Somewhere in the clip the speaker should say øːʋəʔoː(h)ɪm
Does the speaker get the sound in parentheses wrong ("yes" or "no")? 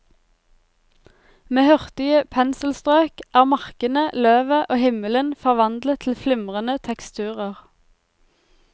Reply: no